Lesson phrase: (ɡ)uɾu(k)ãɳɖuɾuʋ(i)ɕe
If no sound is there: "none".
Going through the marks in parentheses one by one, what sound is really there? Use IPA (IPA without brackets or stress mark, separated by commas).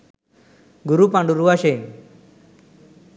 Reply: ɡ, p, a